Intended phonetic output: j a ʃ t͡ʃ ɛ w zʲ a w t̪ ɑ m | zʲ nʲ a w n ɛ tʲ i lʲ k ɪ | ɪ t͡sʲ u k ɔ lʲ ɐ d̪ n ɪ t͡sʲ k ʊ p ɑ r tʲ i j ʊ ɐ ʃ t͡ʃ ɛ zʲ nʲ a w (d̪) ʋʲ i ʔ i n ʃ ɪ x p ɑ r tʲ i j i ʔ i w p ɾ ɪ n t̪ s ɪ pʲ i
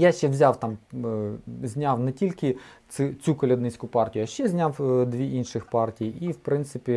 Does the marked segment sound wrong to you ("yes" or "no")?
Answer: no